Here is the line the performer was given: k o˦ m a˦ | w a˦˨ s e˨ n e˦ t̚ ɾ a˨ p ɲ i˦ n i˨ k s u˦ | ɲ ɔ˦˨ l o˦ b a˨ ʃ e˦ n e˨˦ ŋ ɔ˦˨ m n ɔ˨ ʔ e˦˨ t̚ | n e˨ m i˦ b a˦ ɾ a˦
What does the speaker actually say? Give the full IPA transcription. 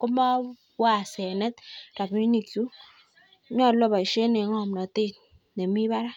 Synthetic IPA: k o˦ m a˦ | w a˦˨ s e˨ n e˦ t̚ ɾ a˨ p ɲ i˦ n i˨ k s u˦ | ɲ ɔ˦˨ l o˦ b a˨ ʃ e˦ n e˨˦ ŋ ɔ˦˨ m n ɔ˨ t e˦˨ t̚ | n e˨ m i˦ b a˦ ɾ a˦